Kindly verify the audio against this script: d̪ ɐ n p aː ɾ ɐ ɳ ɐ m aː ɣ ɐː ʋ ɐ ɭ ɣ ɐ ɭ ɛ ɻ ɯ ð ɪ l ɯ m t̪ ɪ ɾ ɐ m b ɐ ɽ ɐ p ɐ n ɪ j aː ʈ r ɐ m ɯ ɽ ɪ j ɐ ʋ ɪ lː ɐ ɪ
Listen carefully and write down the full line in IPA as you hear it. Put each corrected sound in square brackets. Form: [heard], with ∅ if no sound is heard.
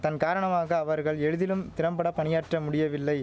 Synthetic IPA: [t̪] ɐ n [k] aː ɾ ɐ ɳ ɐ m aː ɣ ɐː ʋ ɐ [ɾ] ɣ ɐ ɭ ɛ ɻ ɯ ð ɪ l ɯ m t̪ ɪ ɾ ɐ m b ɐ ɽ ɐ p ɐ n ɪ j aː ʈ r ɐ m [ʊ] ɽ ɪ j ɐ ʋ ɪ lː ɐ ɪ

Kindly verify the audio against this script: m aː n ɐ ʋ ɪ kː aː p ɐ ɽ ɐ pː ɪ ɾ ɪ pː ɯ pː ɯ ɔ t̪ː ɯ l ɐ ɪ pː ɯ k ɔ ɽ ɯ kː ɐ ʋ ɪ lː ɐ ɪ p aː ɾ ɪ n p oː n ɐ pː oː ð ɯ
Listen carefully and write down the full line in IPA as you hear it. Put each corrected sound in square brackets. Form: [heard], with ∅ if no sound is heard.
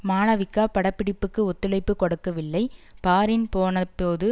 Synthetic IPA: m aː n ɐ ʋ ɪ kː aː p ɐ ɽ ɐ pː ɪ [ɽ] ɪ pː ɯ [kː] ɯ ɔ t̪ː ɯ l ɐ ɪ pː ɯ k ɔ ɽ ɯ kː ɐ ʋ ɪ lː ɐ ɪ p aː ɾ ɪ n p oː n ɐ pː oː ð ɯ

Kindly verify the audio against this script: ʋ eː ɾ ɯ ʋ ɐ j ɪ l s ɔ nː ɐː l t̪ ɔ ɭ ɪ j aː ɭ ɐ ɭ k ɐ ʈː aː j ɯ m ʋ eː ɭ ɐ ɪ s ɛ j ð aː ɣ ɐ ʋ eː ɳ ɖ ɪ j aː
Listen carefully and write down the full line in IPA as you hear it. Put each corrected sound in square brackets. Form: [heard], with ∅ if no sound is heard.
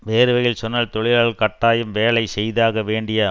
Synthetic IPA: ʋ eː ɾ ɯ ʋ ɐ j ɪ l s ɔ nː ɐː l t̪ ɔ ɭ ɪ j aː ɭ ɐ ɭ k ɐ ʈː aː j ɯ m ʋ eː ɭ ɐ ɪ s ɛ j ð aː ɣ ɐ ʋ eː ɳ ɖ ɪ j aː

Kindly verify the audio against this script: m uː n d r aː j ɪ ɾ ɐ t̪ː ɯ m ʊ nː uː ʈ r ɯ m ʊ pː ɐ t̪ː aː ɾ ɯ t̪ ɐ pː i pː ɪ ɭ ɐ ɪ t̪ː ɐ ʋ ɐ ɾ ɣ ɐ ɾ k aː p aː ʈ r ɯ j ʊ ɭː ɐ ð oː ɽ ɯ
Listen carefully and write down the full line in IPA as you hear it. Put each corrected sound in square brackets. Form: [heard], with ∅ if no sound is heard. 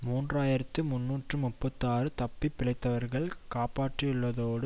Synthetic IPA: m uː n d r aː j ɪ ɾ ɐ t̪ː ɯ m ʊ nː uː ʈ r ɯ m ʊ pː ɐ t̪ː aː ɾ ɯ t̪ ɐ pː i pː ɪ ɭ ɐ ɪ t̪ː ɐ ʋ ɐ ɾ ɣ ɐ [ɭ] k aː p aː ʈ r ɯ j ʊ ɭː ɐ ð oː ɽ ɯ

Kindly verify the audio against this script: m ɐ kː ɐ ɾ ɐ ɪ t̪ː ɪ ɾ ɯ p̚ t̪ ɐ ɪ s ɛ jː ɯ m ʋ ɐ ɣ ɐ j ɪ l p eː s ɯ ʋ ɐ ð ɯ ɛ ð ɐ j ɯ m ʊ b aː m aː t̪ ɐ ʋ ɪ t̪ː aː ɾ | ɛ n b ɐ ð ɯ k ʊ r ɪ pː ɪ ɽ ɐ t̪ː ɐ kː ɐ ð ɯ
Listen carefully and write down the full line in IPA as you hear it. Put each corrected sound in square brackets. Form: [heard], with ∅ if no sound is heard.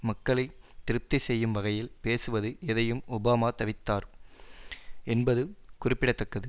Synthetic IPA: m ɐ kː ɐ [ɭ] ɐ ɪ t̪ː ɪ ɾ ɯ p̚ t̪ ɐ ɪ s ɛ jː ɯ m ʋ ɐ ɣ ɐ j ɪ l p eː s ɯ ʋ ɐ ð ɯ ɛ ð ɐ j ɯ m ʊ b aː m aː t̪ ɐ ʋ ɪ t̪ː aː ɾ | ɛ n b ɐ ð ɯ k ʊ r ɪ pː ɪ ɽ ɐ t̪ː ɐ kː ɐ ð ɯ

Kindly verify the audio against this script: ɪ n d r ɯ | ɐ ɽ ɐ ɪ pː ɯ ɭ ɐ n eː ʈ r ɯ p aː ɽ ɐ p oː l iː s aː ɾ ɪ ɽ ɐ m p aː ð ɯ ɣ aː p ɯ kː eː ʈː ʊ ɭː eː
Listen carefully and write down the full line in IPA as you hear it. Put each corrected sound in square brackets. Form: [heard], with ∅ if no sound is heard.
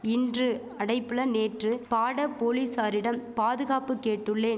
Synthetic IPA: ɪ n d r ɯ | ɐ ɽ ɐ ɪ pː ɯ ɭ ɐ n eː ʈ r ɯ p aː ɽ ɐ p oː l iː s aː ɾ ɪ ɽ ɐ m p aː ð ɯ ɣ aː p ɯ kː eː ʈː [ɯ] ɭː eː

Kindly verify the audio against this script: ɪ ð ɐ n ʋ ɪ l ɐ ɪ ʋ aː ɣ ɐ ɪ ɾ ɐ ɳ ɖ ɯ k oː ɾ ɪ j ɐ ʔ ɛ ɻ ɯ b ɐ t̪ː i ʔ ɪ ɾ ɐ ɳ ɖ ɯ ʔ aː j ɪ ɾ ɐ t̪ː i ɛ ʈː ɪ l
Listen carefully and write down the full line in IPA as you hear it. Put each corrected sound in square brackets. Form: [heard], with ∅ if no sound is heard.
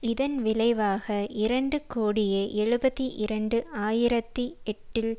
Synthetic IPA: ɪ ð ɐ n ʋ ɪ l ɐ ɪ ʋ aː ɣ ɐ ɪ ɾ ɐ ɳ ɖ ɯ k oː [ɽ] ɪ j ɐ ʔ ɛ ɻ ɯ b ɐ t̪ː i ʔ ɪ ɾ ɐ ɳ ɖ ɯ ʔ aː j ɪ ɾ ɐ t̪ː i ɛ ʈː ɪ l

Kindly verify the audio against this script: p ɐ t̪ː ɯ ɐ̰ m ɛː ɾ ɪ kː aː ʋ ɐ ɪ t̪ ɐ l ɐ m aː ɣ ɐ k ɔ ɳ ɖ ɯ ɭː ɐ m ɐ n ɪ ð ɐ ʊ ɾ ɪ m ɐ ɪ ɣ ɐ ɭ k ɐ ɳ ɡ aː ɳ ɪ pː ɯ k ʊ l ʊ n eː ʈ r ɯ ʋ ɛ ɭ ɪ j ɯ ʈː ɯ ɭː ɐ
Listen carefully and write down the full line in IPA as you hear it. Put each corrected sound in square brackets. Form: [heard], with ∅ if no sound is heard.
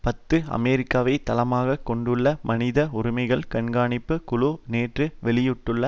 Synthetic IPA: p ɐ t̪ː ɯ ɐ̰ m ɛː ɾ ɪ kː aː ʋ ɐ ɪ t̪ ɐ l ɐ m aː ɣ ɐ k ɔ ɳ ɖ ɯ ɭː ɐ m ɐ n ɪ ð ɐ ʊ ɾ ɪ m ɐ ɪ ɣ ɐ ɭ k ɐ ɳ ɡ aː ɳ ɪ pː ɯ k ʊ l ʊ n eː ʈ r ɯ ʋ ɛ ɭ ɪ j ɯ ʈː ɯ ɭː ɐ

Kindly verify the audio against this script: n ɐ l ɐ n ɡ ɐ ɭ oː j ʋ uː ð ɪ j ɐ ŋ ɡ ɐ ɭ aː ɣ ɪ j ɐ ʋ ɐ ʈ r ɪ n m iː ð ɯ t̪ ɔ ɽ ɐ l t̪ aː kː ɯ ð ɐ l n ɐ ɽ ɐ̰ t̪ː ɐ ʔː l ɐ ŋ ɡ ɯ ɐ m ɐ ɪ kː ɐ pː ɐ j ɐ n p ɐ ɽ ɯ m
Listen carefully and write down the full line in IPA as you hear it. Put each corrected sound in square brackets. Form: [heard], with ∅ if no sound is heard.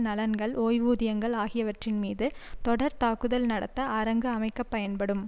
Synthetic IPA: n ɐ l ɐ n ɡ ɐ ɭ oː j ʋ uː ð ɪ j ɐ ŋ ɡ ɐ ɭ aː ɣ ɪ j ɐ ʋ ɐ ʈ r ɪ n m iː ð ɯ t̪ ɔ ɽ ɐ [ɾ] t̪ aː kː ɯ ð ɐ l n ɐ ɽ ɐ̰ t̪ː ɐ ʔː [ɾ] ɐ ŋ ɡ ɯ ɐ m ɐ ɪ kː ɐ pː ɐ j ɐ n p ɐ ɽ ɯ m

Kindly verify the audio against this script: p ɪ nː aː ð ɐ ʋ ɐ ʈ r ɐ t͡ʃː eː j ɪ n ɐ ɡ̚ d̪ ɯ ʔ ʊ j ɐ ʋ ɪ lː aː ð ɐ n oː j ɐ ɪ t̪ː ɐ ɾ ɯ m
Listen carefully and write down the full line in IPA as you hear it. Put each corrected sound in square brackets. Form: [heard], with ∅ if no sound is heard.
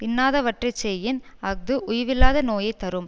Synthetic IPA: p ɪ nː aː ð ɐ ʋ ɐ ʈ r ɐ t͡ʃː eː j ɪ n ɐ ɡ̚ d̪ ɯ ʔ ʊ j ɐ ʋ ɪ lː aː ð ɐ n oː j ɐ ɪ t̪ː ɐ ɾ ɯ m

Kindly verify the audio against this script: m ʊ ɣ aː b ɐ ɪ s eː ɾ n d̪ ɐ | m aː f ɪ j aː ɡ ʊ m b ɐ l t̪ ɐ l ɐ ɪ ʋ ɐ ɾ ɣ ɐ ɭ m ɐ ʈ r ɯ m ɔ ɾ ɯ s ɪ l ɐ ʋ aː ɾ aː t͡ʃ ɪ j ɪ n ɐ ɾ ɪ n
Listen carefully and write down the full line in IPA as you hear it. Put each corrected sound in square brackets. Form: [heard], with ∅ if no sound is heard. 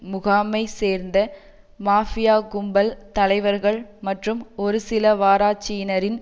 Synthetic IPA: m ʊ ɣ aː [m] ɐ ɪ s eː ɾ n d̪ ɐ | m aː f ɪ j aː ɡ ʊ m b ɐ l t̪ ɐ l ɐ ɪ ʋ ɐ ɾ ɣ ɐ ɭ m ɐ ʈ r ɯ m ɔ ɾ ɯ s ɪ l ɐ ʋ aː ɾ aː t͡ʃ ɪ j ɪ n ɐ ɾ ɪ n

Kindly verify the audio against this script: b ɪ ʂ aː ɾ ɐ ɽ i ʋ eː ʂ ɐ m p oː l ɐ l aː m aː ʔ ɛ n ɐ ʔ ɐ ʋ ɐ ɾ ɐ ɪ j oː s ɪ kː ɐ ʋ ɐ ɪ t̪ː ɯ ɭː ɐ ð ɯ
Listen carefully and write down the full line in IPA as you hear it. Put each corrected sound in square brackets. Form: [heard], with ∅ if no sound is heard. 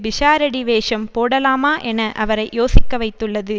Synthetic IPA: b ɪ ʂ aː ɾ ɐ ɽ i ʋ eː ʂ ɐ m p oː [ɽ] ɐ l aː m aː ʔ ɛ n ɐ ʔ ɐ ʋ ɐ ɾ ɐ ɪ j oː s ɪ kː ɐ ʋ ɐ ɪ t̪ː ɯ ɭː ɐ ð ɯ

